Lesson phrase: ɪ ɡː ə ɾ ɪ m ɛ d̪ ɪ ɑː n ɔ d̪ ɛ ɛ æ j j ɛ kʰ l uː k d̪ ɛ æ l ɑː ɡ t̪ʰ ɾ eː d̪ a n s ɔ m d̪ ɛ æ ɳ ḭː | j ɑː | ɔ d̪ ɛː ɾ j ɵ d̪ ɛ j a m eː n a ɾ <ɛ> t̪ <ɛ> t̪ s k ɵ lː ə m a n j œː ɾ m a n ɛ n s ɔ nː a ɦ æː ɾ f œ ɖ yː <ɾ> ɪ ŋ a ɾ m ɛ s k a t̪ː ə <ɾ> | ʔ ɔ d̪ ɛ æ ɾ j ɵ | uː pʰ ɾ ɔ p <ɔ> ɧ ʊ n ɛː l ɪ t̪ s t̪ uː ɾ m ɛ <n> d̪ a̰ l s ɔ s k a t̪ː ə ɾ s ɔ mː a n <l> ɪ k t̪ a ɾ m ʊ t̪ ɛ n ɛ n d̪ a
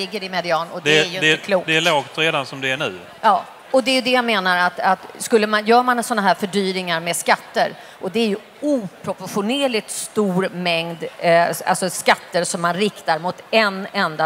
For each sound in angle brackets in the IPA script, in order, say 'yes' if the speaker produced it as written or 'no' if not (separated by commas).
no, no, yes, yes, yes, no, no